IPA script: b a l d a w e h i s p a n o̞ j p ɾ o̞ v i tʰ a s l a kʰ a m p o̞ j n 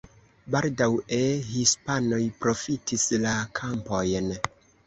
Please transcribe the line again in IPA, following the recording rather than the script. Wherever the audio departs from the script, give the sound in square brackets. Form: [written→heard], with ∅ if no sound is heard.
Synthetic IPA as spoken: b a l d a w e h i s p a n o̞ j p ɾ o̞ [v→f] i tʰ [a→i] s l a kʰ a m p o̞ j n